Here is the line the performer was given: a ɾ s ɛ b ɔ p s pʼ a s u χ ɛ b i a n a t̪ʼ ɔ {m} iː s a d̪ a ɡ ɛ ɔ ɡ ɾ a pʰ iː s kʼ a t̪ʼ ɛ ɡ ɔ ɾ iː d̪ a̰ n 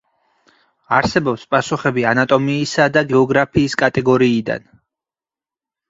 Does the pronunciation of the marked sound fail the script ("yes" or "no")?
no